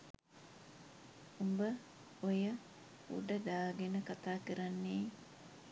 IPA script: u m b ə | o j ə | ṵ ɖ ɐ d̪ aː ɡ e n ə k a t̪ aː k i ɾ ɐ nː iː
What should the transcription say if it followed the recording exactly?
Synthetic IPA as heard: u m b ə | o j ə | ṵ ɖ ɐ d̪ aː ɡ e n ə k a t̪ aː k i ɾ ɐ nː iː